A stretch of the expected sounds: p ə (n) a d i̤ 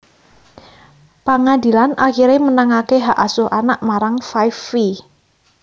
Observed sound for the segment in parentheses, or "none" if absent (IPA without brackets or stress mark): ŋ